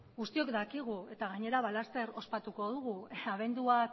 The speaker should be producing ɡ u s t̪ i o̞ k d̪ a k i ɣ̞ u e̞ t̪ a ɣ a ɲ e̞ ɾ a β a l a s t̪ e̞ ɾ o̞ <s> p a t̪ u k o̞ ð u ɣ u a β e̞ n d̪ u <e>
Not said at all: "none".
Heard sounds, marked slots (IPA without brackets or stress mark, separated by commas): s, a